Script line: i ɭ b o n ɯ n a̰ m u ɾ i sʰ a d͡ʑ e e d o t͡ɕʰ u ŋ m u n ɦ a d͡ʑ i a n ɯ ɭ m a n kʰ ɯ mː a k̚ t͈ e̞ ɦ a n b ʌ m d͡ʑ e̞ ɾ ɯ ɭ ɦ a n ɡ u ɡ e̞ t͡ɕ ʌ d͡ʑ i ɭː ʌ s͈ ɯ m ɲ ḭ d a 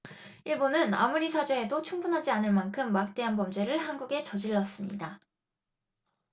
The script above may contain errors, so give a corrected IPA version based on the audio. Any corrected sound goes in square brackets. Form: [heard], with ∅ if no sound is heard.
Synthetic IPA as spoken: i ɭ b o n ɯ n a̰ m u ɾ i sʰ a d͡ʑ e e d o t͡ɕʰ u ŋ [b] u n ɦ a d͡ʑ i a n ɯ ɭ m a n kʰ ɯ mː a k̚ t͈ e̞ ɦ a n b ʌ m d͡ʑ e̞ ɾ ɯ ɭ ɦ a n ɡ u ɡ e̞ t͡ɕ ʌ d͡ʑ i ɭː ʌ s͈ ɯ m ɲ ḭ d a